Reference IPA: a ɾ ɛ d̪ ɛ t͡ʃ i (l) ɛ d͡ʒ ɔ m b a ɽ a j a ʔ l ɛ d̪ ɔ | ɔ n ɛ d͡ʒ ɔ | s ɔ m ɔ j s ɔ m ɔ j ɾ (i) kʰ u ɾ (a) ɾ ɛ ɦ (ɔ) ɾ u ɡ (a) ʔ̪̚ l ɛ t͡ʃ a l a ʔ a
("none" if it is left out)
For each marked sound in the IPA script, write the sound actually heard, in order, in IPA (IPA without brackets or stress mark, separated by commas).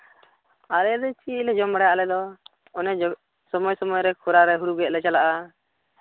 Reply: l, ɛ, a, u, ɛ